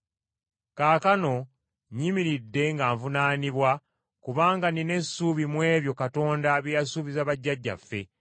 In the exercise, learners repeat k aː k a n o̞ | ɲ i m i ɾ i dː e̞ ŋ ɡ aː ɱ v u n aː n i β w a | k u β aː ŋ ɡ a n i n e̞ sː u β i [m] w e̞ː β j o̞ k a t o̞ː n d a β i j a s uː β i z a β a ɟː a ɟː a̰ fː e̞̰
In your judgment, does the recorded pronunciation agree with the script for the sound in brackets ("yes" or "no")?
yes